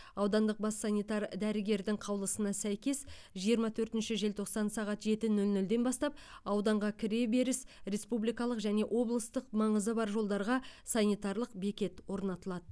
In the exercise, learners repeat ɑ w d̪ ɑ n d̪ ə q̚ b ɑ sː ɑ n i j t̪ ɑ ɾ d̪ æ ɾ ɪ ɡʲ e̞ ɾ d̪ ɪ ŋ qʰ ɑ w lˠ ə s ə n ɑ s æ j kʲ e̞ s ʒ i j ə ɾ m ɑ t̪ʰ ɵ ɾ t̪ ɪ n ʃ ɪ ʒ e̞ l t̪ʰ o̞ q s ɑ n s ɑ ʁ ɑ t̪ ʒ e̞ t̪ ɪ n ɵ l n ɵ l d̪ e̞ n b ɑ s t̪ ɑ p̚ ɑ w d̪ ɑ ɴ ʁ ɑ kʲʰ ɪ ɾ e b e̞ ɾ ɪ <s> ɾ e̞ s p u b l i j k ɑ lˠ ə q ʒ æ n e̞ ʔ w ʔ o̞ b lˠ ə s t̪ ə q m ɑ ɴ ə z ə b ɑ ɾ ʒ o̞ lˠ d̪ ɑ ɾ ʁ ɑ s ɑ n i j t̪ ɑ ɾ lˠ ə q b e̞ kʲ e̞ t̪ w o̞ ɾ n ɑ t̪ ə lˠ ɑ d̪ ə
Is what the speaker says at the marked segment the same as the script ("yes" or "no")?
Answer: yes